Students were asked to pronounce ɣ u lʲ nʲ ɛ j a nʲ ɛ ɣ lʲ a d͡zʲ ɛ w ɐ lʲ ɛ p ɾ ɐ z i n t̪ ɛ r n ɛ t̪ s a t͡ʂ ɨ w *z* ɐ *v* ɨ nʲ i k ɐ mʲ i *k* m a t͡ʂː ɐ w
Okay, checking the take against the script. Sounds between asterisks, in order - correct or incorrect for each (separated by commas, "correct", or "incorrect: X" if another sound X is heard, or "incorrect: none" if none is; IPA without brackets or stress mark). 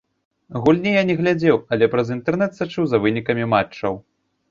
correct, correct, incorrect: none